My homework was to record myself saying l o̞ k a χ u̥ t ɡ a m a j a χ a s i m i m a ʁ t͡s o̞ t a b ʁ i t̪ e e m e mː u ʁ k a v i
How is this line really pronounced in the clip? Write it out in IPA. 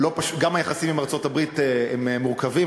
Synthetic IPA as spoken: l o̞ p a ʃ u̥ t ɡ a m a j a χ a s i m i m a ʁ t͡s o̞ t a b ʁ i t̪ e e m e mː u ʁ k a v i